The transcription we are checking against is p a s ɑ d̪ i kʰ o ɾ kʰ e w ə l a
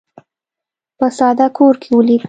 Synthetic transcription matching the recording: p ə s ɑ d̪ a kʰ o ɾ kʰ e w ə l i